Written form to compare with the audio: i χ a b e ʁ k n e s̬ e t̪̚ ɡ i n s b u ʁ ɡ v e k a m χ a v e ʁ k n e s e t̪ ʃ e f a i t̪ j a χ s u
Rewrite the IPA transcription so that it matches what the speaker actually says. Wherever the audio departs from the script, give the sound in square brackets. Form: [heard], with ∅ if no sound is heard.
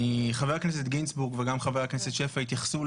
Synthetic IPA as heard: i χ a [v] e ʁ k n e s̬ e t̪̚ ɡ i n s b u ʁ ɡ v e [ɡ] a m χ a v e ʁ k n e s e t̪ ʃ e f a i t̪ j a χ s u